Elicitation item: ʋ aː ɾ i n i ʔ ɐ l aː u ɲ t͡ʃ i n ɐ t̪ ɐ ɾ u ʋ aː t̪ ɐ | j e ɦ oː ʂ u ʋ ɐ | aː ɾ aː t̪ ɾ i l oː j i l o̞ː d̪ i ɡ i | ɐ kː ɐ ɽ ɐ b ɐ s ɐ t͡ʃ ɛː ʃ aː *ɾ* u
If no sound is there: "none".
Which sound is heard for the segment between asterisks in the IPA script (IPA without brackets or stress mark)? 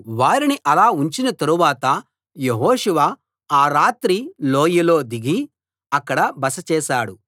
ɽ